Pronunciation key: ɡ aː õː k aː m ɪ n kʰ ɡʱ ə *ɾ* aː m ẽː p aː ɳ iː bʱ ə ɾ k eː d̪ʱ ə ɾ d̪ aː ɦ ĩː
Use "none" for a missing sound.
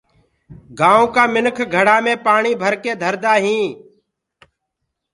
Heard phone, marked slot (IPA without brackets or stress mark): ɽ